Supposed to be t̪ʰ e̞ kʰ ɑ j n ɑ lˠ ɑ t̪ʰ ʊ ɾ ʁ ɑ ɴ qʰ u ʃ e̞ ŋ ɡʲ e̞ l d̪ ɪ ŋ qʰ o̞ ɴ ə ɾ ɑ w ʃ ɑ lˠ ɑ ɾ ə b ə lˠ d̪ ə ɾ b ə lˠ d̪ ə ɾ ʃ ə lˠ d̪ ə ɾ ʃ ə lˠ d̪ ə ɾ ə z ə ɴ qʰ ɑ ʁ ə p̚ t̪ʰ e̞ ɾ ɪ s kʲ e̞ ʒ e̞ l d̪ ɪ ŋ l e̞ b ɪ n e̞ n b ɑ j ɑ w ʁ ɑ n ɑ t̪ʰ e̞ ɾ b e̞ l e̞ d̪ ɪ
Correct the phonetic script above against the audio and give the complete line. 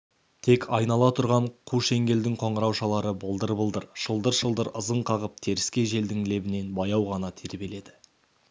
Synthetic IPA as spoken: t̪ʰ e̞ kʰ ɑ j n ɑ lˠ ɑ t̪ʰ ʊ ɾ ʁ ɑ ɴ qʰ u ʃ e̞ ŋ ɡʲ e̞ l d̪ ɪ ŋ qʰ o̞ ɴ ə ɾ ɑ w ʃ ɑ lˠ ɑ ɾ ə b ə lˠ d̪ ə ɾ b ə lˠ d̪ ə ɾ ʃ ə lˠ d̪ ə ɾ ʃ ə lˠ d̪ ə ɾ ə z ə ɴ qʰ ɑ ʁ ə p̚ t̪ʰ e̞ ɾ ɪ s kʲ e̞ ʒ e̞ l d̪ ɪ ŋ l e̞ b ɪ n e̞ n b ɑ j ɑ w ʁ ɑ n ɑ t̪ʰ e̞ ɾ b e̞ l e̞ d̪ ɪ